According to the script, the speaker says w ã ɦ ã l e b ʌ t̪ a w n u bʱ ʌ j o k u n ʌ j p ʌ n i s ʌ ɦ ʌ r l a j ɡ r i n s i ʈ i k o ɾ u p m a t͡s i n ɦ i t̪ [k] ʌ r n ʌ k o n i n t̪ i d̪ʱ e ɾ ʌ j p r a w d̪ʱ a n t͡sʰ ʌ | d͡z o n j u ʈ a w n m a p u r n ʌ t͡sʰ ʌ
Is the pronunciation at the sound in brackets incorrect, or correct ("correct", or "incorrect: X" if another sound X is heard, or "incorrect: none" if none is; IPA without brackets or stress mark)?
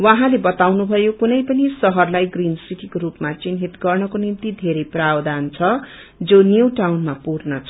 incorrect: ɡ